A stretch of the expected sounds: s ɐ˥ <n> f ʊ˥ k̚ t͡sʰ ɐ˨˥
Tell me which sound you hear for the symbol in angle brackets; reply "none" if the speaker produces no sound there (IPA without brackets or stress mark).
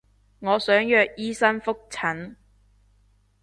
n